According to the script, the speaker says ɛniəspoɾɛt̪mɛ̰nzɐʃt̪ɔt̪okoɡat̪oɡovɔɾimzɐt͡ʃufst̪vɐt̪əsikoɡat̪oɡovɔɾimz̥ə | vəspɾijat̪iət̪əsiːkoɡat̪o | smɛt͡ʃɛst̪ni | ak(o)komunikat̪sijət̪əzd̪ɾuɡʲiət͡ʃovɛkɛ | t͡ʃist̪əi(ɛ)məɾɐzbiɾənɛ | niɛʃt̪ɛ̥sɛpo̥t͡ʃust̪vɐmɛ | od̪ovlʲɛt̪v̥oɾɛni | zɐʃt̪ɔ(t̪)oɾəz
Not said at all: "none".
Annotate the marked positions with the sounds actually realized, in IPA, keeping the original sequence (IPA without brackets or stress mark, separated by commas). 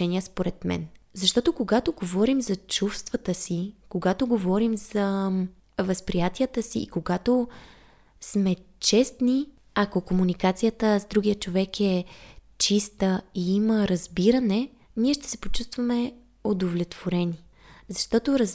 o, i, t̪